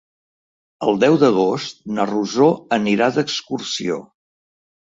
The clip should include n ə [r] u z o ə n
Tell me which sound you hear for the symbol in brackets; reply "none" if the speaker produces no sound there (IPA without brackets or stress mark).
r